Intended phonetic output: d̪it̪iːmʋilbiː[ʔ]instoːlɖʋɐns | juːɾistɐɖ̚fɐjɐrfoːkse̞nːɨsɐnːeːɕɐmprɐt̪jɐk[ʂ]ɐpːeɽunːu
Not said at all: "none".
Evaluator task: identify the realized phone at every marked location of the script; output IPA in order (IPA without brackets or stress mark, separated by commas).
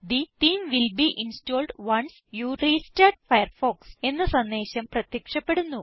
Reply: ʔ, ʂ